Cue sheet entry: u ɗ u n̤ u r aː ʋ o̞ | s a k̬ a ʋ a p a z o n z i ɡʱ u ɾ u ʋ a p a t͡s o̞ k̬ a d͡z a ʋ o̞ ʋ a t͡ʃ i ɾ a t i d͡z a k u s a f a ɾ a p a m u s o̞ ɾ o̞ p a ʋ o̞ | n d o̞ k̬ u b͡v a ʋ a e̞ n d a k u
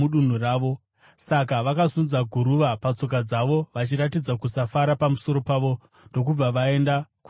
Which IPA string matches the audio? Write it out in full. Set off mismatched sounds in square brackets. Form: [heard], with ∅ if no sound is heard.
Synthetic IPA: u ɗ u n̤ u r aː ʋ o̞ | s a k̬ a ʋ a [k] a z [u] n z [a] ɡʱ u ɾ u ʋ a p a t͡s o̞ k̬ a d͡z a ʋ o̞ ʋ a t͡ʃ i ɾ a t i d͡z a k u s a f a ɾ a p a m u s o̞ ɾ o̞ p a ʋ o̞ | n d o̞ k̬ u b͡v a ʋ a e̞ n d a k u